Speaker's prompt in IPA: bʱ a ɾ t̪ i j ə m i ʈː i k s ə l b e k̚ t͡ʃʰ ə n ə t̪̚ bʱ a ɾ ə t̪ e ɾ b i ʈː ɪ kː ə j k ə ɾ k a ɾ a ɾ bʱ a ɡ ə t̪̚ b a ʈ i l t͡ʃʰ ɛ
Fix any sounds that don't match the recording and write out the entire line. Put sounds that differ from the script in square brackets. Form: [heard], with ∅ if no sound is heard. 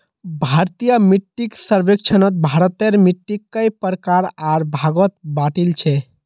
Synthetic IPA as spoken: bʱ a ɾ t̪ i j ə m i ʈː i k s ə [ɾ] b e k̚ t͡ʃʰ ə n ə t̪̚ bʱ a ɾ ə t̪ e ɾ [m] i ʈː [i] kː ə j [p] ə ɾ k a ɾ a ɾ bʱ a ɡ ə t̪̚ b a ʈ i l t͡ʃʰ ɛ